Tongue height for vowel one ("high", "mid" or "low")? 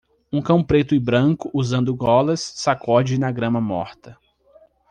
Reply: high